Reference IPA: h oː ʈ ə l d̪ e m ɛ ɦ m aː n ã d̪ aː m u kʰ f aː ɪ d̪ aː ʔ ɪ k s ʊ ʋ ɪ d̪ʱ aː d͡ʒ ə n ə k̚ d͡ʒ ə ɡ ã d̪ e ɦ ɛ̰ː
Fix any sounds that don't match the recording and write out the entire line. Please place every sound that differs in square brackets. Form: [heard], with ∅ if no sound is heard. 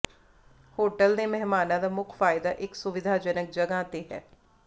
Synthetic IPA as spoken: h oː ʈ ə l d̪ e m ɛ ɦ m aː n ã d̪ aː m [ʊ] kʰ f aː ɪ d̪ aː ʔ ɪ k s ʊ ʋ ɪ d̪ʱ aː d͡ʒ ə n ə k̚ d͡ʒ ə ɡ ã [t̪] e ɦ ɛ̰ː